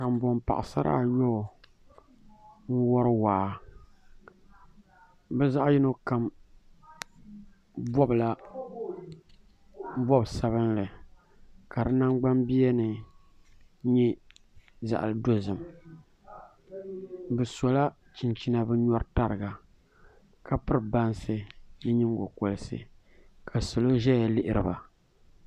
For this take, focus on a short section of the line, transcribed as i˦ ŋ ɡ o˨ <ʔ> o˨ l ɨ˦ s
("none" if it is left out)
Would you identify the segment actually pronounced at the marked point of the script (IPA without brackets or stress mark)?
k